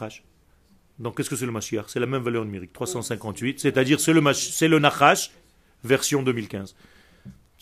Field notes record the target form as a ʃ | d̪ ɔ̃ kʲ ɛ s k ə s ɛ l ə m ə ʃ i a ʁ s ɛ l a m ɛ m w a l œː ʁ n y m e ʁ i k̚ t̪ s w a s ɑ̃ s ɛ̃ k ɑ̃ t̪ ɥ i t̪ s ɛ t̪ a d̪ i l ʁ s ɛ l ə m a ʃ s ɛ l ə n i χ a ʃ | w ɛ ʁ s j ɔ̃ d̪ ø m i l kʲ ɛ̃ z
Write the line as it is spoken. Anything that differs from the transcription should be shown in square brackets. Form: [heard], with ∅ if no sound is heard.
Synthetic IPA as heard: a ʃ | d̪ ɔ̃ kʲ ɛ s k ə s ɛ l ə m [a] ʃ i a ʁ s ɛ l a m ɛ m [v] a l [œ] ʁ n y m e ʁ i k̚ t̪ [χ] w a s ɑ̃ s ɛ̃ k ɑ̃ t̪ ɥ i t̪ s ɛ t̪ a d̪ i [∅] ʁ s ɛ l ə m a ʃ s ɛ l ə n [a] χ a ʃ | [v] ɛ ʁ s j ɔ̃ d̪ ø m i l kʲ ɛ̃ z